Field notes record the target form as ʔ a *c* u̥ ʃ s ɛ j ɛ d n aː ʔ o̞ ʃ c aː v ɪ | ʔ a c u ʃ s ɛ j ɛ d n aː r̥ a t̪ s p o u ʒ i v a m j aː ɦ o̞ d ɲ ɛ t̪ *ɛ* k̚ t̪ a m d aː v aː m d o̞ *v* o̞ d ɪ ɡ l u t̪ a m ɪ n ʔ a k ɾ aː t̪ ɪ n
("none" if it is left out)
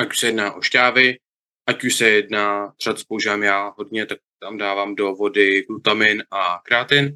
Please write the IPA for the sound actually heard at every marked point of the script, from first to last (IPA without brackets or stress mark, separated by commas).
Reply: c, a, v